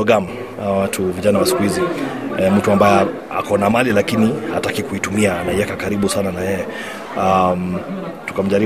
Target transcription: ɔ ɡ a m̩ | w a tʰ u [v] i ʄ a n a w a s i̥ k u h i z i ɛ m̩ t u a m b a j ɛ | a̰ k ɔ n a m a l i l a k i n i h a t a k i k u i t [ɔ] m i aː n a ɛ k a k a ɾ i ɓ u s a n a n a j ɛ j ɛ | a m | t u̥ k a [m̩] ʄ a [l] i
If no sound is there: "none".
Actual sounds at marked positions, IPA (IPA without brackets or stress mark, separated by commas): v, u, m̩, ɾ